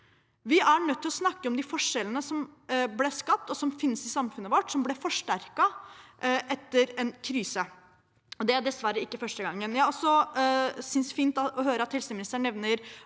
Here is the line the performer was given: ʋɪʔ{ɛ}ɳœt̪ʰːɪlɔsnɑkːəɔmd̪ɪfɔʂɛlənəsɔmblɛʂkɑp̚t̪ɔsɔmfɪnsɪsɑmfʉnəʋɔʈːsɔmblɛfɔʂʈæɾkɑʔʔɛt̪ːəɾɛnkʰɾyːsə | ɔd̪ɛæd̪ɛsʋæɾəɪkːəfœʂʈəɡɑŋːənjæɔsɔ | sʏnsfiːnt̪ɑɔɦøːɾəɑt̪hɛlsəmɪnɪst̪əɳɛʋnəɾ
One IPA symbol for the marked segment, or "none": æ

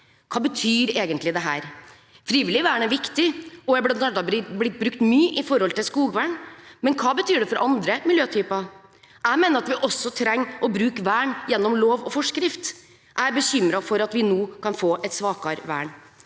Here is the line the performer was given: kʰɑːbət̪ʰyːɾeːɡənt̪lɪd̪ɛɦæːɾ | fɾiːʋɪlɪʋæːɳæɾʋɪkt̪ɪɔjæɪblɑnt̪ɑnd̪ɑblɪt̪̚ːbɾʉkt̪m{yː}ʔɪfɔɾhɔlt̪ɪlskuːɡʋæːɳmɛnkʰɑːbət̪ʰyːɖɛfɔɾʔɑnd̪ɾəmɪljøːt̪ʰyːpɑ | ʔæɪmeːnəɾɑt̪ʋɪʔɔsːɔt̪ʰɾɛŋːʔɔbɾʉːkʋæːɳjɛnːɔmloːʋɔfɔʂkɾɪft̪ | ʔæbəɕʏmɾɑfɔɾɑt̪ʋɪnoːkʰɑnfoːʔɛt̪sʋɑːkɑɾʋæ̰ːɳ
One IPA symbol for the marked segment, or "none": yː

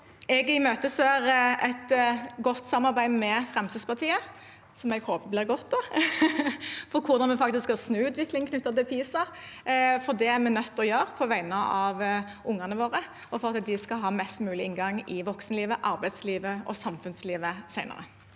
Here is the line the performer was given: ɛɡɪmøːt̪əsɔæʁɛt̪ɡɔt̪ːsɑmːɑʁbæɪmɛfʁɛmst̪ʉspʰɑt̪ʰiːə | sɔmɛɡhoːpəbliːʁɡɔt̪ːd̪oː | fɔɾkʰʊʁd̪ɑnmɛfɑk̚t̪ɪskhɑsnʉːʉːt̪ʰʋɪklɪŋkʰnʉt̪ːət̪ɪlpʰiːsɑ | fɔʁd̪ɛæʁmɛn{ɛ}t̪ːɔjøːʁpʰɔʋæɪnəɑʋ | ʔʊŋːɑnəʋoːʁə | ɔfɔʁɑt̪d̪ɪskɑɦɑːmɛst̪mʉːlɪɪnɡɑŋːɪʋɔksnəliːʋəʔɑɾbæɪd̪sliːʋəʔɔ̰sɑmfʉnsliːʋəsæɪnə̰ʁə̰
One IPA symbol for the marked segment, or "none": œ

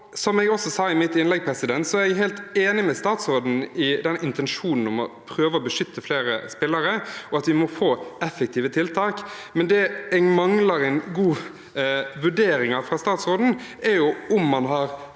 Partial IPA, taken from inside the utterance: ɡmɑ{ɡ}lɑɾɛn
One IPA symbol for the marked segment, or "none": ŋ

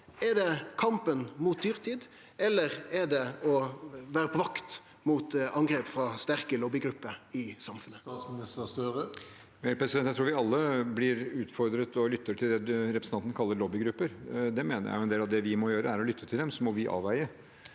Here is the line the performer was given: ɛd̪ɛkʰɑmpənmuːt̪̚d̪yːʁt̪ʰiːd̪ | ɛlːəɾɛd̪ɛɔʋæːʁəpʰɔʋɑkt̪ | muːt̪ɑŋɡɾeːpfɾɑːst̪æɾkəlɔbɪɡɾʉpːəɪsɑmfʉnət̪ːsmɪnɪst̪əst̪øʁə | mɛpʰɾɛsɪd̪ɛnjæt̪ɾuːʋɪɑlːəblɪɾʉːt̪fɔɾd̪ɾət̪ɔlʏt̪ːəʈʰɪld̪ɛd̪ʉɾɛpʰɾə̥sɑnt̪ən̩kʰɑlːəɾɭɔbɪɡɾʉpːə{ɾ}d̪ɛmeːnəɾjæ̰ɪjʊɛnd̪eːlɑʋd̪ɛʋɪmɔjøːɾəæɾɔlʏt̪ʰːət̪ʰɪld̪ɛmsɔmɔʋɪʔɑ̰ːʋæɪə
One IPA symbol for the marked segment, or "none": ɾ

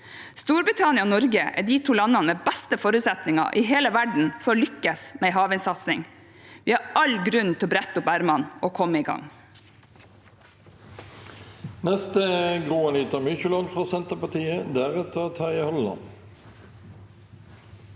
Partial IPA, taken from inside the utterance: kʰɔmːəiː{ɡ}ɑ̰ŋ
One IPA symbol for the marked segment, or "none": ɡ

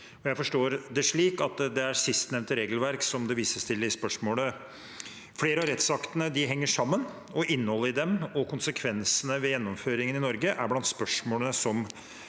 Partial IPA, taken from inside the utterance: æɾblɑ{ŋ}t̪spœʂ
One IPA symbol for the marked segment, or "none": n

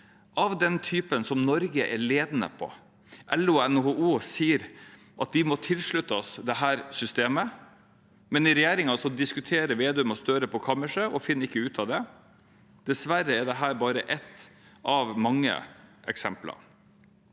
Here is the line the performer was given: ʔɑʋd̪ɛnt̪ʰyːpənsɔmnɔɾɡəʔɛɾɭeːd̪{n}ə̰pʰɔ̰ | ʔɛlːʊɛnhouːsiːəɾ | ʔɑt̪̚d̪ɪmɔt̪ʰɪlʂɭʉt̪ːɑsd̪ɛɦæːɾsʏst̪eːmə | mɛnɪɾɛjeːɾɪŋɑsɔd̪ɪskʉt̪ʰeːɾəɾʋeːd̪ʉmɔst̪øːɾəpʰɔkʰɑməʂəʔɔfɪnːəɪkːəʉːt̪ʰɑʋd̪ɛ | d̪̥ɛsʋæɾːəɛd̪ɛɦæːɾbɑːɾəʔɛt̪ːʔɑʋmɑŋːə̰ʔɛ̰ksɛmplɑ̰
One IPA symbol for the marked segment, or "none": n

